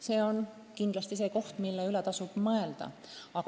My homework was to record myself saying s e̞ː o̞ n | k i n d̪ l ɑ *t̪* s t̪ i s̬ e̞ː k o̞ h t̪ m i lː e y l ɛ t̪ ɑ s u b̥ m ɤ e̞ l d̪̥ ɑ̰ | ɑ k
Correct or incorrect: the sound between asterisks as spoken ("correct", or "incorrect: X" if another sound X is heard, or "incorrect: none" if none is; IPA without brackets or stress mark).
incorrect: none